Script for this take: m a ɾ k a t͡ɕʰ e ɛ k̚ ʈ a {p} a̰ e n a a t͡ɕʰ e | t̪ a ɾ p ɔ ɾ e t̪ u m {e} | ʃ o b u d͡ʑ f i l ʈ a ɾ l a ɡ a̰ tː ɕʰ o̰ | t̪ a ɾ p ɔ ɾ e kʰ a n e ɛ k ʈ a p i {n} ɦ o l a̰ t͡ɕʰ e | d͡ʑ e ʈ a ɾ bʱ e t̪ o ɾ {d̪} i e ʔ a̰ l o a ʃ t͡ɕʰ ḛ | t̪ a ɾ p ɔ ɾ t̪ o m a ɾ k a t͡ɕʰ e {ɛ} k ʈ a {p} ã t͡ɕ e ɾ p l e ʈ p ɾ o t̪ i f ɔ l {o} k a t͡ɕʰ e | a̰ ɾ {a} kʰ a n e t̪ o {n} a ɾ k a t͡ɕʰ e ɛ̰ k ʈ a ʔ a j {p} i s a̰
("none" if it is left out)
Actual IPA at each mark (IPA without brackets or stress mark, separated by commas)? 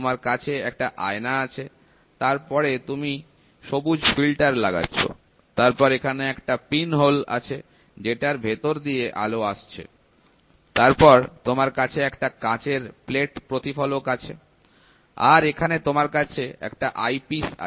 ʔ, i, n, d̪, ɛ, k, o, e, m, p